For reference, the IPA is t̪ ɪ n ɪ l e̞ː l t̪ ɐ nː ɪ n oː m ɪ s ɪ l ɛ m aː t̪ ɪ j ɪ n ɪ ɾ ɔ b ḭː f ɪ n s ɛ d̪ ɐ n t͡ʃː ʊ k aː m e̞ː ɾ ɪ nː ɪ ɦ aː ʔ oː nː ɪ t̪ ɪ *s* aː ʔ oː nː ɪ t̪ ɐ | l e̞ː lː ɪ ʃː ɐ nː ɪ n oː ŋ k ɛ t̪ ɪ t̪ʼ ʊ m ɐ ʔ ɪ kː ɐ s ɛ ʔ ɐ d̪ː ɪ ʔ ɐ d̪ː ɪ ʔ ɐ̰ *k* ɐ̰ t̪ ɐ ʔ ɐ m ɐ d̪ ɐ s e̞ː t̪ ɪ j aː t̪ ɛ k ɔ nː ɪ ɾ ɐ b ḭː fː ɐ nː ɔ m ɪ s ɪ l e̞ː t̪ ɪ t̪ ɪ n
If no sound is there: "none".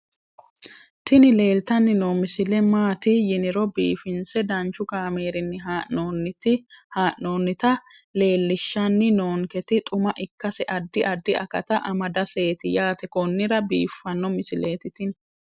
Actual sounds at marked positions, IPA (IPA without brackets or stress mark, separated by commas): h, k